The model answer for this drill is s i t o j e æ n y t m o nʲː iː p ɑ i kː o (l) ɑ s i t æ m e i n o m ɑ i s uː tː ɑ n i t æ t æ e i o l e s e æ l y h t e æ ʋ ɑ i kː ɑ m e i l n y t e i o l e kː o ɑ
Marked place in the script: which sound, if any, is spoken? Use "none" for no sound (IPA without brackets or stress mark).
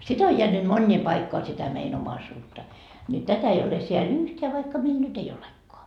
none